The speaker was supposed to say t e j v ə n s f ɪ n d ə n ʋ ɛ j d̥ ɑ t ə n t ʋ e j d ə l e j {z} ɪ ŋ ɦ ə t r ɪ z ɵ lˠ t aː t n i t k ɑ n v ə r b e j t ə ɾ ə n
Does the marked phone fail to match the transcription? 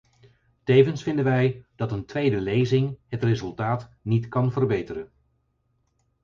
no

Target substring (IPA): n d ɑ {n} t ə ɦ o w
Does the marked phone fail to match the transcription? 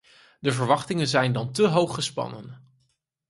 no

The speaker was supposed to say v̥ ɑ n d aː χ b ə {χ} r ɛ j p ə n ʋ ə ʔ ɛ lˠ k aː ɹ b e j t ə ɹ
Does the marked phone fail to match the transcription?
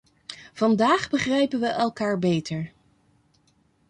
no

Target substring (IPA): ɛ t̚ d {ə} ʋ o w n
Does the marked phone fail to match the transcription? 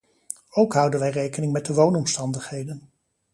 no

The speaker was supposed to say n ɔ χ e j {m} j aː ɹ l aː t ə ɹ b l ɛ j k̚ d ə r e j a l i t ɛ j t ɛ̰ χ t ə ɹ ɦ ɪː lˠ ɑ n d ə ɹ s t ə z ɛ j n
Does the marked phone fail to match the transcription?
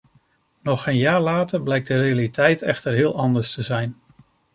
yes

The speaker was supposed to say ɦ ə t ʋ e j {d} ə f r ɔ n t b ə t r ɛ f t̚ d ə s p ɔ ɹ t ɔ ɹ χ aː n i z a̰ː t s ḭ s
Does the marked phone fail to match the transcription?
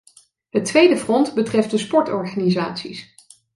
no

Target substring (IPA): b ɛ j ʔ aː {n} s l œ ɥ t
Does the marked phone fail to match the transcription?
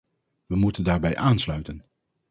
no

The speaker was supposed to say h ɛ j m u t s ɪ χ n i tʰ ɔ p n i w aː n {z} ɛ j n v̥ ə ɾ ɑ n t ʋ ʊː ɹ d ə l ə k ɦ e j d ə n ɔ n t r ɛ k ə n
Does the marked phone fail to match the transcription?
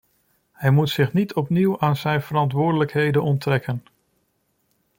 no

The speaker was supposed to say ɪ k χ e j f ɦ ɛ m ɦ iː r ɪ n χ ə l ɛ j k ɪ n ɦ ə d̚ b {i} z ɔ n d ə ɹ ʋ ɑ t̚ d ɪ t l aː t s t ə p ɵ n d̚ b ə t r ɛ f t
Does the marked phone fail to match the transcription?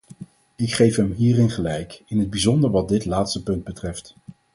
no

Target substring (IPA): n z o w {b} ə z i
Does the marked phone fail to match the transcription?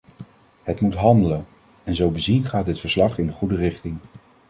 no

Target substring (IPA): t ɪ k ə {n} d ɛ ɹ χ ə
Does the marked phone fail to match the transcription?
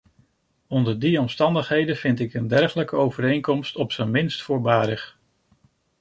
no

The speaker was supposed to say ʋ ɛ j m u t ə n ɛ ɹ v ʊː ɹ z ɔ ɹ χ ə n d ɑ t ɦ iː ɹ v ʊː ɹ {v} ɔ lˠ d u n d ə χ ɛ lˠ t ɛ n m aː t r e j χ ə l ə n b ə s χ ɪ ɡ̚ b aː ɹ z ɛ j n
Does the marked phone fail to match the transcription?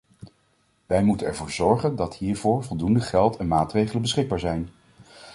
no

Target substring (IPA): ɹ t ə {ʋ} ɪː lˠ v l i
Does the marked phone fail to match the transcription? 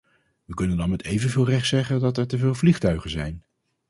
yes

